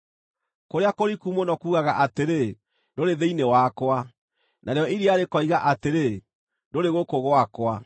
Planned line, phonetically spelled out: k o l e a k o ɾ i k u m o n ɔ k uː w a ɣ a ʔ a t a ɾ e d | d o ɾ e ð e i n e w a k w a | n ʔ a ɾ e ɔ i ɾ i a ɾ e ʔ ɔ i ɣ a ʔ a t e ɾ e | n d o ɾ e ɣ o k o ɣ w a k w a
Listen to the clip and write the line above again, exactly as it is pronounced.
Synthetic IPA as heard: k o ɾ e a k o ɾ i k u m o n ɔ k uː ɣ a ɣ a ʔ a t e ɾ e | d o ɾ e ð e i n e w a k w a | n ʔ a ɾ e ɔ i ɾ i a ɾ e k ɔ i ɣ a ʔ a t e ɾ e | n d o ɾ e ɣ o k o ɣ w a k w a